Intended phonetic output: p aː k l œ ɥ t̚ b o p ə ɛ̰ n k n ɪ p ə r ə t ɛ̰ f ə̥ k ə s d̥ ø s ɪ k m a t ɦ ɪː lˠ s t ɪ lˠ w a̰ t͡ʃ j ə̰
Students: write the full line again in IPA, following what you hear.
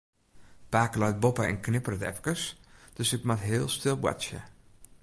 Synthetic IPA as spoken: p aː k l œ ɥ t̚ b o p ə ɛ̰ n k n ɪ p ə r ə t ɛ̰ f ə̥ k ə s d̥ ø s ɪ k m a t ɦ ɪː lˠ s t ɪ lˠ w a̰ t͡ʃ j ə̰